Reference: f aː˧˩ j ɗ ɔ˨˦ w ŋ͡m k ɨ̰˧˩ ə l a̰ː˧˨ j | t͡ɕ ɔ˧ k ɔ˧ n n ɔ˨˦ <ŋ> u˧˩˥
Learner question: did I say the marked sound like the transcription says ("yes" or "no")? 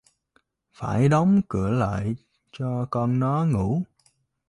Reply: yes